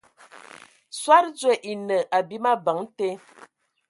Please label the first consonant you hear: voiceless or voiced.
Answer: voiceless